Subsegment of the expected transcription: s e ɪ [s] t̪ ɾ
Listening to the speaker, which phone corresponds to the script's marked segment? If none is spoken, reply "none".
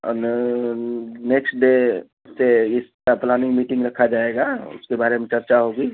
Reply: s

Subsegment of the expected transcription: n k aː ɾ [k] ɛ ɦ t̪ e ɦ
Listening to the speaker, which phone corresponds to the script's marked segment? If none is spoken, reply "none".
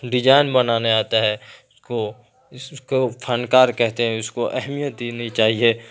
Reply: k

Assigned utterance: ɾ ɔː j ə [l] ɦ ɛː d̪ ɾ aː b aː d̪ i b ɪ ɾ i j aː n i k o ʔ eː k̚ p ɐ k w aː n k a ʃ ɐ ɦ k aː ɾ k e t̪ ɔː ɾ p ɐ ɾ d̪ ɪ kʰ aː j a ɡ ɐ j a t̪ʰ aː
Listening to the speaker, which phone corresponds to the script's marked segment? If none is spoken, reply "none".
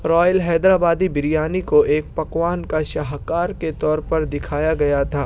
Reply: l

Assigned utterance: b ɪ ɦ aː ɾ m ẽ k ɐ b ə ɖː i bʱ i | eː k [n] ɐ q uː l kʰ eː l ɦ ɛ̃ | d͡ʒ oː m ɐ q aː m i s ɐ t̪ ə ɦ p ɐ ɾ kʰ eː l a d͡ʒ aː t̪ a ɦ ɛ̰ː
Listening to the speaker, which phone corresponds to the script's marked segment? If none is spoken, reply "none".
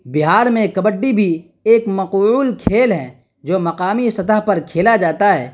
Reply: m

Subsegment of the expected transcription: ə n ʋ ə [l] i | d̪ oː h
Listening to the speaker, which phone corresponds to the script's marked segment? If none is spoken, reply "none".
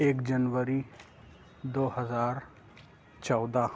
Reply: ɾ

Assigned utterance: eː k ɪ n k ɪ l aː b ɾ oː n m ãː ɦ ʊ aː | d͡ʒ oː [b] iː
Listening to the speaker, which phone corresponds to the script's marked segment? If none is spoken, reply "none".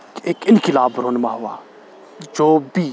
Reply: b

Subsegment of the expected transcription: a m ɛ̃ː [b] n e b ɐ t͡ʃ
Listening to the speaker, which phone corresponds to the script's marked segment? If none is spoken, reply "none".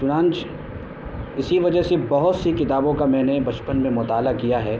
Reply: none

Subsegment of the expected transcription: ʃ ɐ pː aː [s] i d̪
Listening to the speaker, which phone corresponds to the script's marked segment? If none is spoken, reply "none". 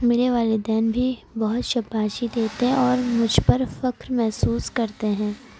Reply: ʃ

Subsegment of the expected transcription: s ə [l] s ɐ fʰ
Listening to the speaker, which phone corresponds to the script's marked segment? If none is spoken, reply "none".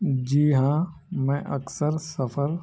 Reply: ɾ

